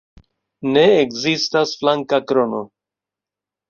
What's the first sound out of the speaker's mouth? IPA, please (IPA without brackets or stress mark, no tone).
n